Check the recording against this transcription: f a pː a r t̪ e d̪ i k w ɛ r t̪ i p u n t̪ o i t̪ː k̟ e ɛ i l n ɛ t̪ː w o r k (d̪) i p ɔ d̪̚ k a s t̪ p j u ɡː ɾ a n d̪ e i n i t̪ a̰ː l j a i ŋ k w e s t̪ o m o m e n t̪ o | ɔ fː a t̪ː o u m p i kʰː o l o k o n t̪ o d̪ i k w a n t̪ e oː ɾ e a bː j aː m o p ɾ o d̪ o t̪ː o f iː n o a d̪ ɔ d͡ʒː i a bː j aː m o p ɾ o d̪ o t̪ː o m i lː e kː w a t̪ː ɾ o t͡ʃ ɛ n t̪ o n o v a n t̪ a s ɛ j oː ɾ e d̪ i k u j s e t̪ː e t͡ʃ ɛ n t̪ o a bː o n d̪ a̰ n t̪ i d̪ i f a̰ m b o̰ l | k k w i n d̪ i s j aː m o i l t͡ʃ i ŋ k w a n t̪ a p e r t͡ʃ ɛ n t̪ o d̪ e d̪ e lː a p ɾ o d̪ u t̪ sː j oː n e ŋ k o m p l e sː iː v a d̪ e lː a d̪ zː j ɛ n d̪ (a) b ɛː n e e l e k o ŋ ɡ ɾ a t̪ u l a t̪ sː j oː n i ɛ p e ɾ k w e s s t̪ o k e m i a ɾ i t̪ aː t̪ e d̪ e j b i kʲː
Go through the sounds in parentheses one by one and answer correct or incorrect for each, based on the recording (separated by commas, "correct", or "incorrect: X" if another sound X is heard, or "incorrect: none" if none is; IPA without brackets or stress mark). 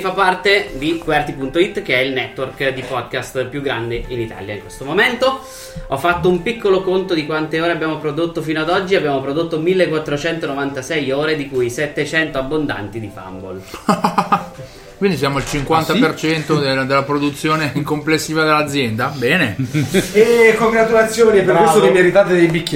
correct, correct